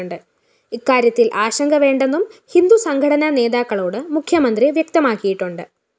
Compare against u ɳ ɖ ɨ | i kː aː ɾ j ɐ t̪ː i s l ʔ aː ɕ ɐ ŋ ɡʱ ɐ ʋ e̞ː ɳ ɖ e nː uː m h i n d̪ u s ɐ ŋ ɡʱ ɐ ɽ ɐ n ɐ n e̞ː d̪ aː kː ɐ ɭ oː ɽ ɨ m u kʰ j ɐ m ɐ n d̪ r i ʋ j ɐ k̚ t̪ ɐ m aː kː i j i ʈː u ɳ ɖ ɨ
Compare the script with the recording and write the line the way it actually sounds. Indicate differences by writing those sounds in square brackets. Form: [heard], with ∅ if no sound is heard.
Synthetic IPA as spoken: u ɳ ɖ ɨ | i kː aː ɾ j ɐ t̪ː i [∅] l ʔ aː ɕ ɐ ŋ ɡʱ ɐ ʋ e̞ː ɳ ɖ e nː [u] m h i n d̪ u s ɐ ŋ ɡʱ ɐ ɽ ɐ n ɐ n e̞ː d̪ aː kː ɐ ɭ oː ɽ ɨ m u kʰ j ɐ m ɐ n d̪ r i ʋ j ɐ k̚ t̪ ɐ m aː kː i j i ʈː u ɳ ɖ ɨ